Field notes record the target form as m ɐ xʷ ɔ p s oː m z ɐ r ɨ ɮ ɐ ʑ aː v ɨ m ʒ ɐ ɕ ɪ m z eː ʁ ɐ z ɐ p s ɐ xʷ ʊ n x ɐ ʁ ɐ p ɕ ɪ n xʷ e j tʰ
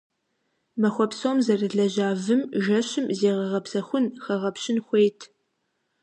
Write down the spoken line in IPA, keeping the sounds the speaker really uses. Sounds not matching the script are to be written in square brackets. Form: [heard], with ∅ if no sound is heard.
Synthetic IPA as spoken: m ɐ xʷ ɔ p s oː m z ɐ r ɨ ɮ ɐ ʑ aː v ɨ m ʒ ɐ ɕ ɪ m z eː ʁ ɐ [ʁ] ɐ p s ɐ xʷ ʊ n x ɐ ʁ ɐ p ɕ ɪ n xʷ e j tʰ